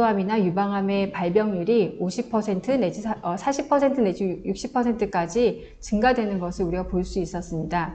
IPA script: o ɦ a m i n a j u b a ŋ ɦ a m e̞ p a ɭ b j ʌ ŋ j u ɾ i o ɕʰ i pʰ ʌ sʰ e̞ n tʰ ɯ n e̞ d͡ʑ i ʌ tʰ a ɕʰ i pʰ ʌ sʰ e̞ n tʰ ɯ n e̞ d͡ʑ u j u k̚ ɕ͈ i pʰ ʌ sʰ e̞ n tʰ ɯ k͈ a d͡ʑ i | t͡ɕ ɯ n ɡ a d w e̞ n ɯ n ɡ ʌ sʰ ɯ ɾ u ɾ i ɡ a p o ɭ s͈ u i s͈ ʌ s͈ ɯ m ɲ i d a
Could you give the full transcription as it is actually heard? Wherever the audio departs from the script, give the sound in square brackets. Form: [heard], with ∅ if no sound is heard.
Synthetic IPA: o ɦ a m i n a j u b a ŋ ɦ a m e̞ p a ɭ b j ʌ ŋ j u ɾ i o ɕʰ i pʰ ʌ sʰ e̞ n tʰ ɯ n e̞ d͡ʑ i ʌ [sʰ] a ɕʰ i pʰ ʌ sʰ e̞ n tʰ ɯ n e̞ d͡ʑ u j u k̚ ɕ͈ i pʰ ʌ sʰ e̞ n tʰ ɯ k͈ a d͡ʑ i | t͡ɕ ɯ [ŋ] ɡ a d w e̞ n ɯ n ɡ ʌ sʰ ɯ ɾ u ɾ i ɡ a p o ɭ s͈ u i s͈ ʌ s͈ ɯ m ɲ i d a